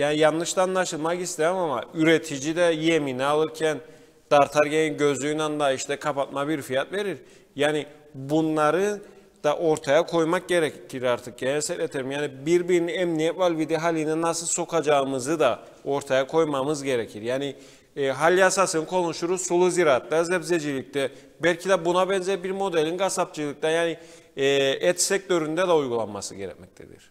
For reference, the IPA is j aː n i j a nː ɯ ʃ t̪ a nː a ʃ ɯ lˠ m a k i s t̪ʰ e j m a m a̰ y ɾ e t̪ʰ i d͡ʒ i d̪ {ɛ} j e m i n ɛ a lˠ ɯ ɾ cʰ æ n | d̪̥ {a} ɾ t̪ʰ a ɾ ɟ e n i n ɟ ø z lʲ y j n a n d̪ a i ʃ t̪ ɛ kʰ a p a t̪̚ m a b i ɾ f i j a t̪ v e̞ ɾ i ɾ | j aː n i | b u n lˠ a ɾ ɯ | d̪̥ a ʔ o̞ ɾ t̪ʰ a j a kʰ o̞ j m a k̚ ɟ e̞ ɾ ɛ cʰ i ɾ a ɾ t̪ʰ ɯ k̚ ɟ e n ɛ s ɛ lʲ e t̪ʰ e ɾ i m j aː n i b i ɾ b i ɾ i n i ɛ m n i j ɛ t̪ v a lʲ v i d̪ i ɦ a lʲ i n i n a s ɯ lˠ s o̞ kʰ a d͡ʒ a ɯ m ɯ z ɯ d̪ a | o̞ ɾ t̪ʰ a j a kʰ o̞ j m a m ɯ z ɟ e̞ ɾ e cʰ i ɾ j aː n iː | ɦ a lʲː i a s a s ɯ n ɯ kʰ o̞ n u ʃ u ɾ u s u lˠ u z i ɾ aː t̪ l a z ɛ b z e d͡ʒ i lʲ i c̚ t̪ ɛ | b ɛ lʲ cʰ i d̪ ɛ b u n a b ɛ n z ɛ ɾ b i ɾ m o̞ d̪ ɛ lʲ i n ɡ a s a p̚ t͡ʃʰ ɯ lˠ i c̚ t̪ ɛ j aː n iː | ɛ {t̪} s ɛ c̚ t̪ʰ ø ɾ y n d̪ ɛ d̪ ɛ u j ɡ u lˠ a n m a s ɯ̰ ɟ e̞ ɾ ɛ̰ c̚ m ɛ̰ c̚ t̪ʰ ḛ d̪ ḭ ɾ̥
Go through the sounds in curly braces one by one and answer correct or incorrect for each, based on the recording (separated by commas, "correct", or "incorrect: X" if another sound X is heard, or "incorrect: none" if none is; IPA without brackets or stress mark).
correct, correct, correct